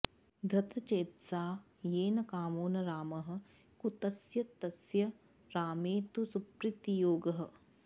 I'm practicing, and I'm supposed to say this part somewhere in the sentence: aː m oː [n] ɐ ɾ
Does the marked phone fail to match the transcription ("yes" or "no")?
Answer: no